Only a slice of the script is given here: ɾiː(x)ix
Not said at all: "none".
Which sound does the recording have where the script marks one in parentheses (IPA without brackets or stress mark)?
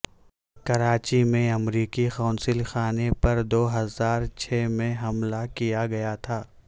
k